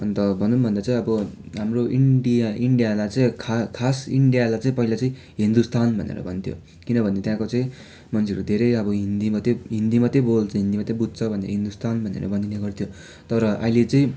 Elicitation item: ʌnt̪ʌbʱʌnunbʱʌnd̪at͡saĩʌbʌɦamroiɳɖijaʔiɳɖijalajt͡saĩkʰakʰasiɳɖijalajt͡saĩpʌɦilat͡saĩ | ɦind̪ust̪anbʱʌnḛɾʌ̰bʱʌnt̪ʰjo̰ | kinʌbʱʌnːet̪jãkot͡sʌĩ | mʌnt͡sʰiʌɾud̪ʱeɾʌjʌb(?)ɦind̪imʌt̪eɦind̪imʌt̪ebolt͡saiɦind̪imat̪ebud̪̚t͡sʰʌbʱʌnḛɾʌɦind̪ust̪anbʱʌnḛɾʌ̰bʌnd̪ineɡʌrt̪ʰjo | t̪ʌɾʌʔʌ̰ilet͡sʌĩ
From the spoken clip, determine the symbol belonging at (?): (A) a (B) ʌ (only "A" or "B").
B